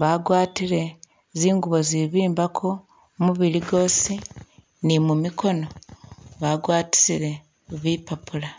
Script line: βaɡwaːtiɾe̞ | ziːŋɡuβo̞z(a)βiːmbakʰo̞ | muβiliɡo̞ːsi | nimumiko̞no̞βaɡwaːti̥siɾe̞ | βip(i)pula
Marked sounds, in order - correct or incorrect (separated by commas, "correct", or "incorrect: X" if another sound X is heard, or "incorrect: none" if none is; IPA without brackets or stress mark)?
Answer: incorrect: i, incorrect: a